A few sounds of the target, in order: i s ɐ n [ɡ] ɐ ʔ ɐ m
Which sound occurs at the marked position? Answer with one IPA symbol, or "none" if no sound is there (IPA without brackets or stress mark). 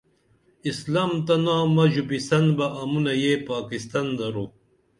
b